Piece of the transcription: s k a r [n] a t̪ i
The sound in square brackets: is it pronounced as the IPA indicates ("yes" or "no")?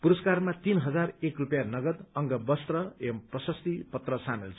no